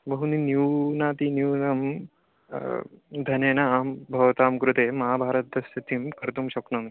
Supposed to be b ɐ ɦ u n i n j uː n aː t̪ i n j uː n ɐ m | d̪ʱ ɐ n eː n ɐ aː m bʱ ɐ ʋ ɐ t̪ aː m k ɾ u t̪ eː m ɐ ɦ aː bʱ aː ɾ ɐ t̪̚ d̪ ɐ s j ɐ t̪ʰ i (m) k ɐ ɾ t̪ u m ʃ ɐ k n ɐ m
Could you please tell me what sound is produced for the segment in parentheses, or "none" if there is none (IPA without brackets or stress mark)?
m